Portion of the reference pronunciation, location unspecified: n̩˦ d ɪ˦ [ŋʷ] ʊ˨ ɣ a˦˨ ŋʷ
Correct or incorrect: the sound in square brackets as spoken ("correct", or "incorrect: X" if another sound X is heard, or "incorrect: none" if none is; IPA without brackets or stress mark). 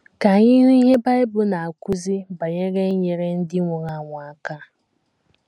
correct